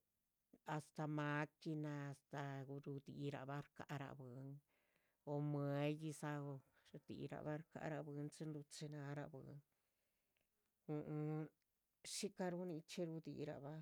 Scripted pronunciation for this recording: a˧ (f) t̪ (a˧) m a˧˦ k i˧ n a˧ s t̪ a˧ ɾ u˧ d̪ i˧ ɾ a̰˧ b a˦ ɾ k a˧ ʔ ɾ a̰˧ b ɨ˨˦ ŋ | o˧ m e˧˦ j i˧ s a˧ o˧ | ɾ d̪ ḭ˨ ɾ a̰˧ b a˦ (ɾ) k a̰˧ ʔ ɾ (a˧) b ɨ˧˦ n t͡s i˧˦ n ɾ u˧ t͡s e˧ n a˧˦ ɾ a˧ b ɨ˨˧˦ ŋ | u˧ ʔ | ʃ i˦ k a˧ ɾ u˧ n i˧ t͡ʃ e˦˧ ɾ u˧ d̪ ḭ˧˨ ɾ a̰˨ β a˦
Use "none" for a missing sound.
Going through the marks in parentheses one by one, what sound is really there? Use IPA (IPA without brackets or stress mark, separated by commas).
s, a˧, ɾ, a˧